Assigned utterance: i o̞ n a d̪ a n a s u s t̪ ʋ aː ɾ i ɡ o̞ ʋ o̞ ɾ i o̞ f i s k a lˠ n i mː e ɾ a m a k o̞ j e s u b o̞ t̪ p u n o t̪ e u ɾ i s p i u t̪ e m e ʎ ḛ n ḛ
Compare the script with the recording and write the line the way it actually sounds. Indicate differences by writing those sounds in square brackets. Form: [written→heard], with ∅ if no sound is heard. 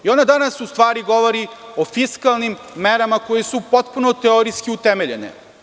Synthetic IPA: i o̞ n a d̪ a n a s u s t̪ ʋ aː ɾ i ɡ o̞ ʋ o̞ ɾ i o̞ f i s k a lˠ n i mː e ɾ a m a k o̞ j e s u [b→p] o̞ t̪ p u n o t̪ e [u→o] ɾ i s [p→k] i u t̪ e m e ʎ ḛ n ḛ